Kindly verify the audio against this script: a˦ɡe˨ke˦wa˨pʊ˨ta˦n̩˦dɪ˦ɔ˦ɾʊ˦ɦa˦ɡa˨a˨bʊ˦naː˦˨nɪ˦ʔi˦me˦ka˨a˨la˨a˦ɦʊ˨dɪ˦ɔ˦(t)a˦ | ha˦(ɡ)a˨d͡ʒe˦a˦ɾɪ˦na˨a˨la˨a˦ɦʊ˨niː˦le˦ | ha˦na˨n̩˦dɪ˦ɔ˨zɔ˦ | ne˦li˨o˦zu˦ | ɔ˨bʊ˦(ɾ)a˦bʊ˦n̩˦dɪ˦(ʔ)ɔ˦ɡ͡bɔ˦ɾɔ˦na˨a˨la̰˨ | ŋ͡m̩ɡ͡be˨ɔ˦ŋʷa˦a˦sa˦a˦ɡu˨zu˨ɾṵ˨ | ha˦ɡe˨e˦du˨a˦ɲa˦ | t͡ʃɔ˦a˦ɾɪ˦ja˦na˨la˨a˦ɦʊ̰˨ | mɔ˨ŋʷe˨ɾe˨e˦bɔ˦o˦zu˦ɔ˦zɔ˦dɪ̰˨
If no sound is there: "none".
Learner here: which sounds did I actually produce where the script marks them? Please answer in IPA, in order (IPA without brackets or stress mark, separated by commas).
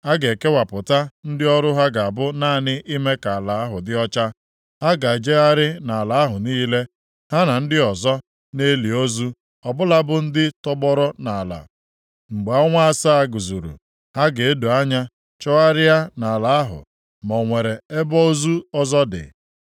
t͡ʃ, ɡ, l, t